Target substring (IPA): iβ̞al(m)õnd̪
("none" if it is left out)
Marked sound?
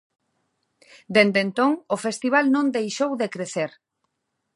n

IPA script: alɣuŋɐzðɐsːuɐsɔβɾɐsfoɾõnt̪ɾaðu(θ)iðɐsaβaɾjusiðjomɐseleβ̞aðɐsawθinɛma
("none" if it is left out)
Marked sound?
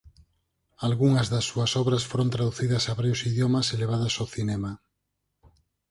θ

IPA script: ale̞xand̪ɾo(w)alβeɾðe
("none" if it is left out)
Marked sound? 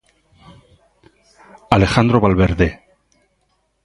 β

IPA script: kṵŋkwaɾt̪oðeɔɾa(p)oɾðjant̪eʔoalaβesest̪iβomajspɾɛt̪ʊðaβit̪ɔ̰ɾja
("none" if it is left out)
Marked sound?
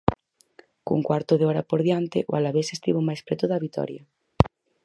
p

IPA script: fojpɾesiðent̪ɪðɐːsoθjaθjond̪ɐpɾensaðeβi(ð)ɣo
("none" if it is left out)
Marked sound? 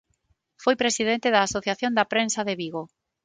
none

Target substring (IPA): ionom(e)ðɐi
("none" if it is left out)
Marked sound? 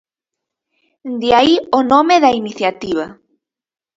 e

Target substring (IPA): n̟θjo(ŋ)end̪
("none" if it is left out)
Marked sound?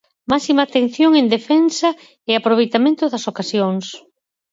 ŋ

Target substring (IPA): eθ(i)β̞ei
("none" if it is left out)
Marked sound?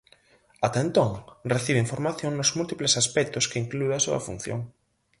i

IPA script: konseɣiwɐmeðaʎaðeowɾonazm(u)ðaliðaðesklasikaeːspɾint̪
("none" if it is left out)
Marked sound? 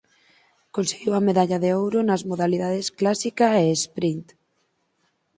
o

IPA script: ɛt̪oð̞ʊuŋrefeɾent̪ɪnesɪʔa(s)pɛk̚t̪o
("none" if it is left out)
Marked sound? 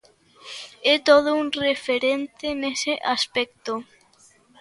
s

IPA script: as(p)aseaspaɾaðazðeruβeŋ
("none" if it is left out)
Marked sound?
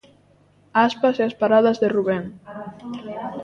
p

